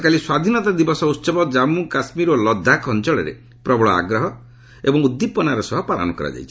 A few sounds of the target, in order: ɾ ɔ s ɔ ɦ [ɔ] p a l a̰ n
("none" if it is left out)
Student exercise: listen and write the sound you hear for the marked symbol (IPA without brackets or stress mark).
ɔ